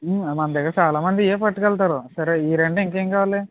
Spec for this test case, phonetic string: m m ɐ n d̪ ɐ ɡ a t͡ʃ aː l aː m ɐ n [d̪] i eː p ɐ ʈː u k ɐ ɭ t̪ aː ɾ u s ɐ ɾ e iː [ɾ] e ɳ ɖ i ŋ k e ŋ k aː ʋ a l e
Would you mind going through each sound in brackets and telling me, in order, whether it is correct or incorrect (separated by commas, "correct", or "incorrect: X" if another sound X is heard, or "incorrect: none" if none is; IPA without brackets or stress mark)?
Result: correct, correct